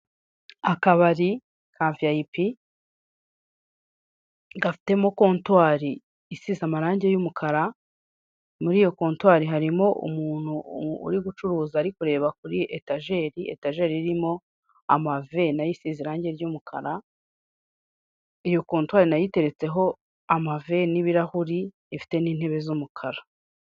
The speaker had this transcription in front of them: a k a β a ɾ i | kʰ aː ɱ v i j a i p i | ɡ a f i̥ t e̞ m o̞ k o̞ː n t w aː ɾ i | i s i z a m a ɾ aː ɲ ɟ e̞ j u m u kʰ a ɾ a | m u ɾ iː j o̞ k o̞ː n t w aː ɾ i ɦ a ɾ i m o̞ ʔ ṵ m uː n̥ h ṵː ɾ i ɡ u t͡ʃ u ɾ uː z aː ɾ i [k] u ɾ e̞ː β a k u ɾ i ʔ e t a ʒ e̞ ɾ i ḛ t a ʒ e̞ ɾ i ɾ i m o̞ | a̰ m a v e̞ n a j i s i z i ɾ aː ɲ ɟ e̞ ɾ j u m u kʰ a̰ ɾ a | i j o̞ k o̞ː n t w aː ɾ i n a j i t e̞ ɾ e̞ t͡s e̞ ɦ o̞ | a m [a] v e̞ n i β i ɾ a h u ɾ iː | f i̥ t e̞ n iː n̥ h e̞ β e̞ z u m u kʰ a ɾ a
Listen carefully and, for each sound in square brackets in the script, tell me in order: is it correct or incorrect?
correct, correct

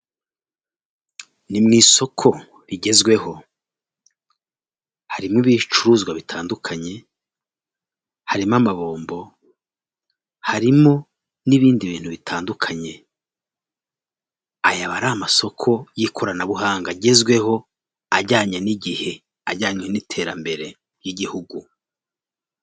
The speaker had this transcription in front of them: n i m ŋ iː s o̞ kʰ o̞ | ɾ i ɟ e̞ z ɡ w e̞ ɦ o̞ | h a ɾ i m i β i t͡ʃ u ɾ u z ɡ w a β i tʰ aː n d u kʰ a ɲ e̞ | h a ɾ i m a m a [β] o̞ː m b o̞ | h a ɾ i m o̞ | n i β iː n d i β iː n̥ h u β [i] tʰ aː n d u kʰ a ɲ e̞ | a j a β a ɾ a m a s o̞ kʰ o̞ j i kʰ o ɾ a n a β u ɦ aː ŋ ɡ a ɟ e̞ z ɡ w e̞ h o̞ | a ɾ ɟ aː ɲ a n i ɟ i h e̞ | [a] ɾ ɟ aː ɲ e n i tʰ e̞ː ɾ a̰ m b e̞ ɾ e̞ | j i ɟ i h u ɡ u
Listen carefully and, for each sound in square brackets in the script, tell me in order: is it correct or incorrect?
correct, correct, correct

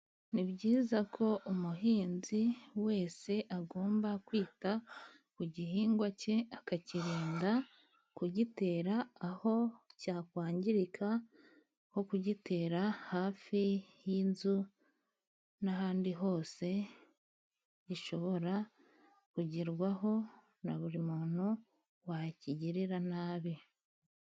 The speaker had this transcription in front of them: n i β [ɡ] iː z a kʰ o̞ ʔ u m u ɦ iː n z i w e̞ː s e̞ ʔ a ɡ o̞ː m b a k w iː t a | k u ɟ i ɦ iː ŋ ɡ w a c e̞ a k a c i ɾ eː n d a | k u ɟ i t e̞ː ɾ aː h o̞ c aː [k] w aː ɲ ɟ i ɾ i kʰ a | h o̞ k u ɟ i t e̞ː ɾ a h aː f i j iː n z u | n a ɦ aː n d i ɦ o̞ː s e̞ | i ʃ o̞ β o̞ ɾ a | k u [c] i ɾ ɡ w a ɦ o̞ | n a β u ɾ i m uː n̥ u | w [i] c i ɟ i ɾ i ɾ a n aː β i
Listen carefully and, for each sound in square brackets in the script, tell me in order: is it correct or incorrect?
incorrect: ɟ, correct, incorrect: ɟ, incorrect: a

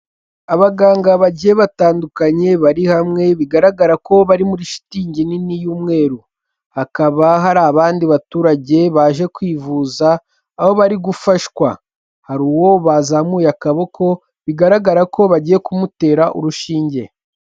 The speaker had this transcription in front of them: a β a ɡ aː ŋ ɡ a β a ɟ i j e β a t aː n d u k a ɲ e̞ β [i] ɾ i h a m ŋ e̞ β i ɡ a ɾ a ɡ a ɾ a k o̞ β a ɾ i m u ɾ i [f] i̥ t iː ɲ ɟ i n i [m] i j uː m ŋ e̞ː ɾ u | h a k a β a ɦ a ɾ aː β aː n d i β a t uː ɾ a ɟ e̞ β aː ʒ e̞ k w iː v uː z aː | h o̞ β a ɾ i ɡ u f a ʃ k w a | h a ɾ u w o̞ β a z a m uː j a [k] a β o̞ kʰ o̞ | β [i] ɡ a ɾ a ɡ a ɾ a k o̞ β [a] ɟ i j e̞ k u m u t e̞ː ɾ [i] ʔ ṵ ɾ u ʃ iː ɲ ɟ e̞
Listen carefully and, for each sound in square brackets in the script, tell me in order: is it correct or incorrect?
incorrect: a, incorrect: ʃ, incorrect: n, correct, correct, correct, incorrect: a

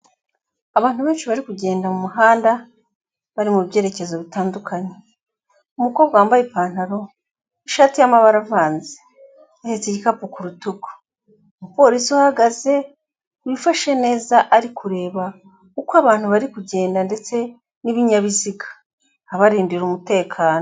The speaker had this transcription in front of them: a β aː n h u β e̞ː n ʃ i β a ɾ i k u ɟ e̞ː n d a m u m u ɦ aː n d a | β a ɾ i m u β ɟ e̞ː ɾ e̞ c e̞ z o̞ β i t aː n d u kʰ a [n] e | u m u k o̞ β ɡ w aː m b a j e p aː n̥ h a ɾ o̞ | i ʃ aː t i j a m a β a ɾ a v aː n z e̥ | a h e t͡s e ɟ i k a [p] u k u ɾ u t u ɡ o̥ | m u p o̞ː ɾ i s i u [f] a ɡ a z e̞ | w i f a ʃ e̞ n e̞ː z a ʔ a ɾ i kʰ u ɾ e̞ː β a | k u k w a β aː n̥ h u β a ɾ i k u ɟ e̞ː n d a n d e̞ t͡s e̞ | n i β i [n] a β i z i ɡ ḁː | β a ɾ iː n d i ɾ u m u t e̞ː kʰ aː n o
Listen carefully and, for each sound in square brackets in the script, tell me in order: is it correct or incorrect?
incorrect: ɲ, correct, incorrect: h, incorrect: ɲ

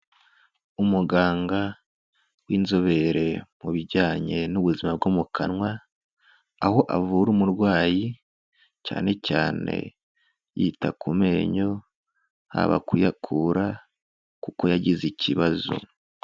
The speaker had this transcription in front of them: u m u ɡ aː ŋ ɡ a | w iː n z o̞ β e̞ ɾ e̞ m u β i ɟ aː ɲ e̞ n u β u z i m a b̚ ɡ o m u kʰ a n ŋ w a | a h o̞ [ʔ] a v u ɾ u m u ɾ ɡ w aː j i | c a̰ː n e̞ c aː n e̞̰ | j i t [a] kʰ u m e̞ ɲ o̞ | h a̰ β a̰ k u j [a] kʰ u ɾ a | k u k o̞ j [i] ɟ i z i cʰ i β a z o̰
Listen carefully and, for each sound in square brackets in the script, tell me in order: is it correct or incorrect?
correct, correct, correct, incorrect: a

